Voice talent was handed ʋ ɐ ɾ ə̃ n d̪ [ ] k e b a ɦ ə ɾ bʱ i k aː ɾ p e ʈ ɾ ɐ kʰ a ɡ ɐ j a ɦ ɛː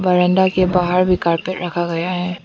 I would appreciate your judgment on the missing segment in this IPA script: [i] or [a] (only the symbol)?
a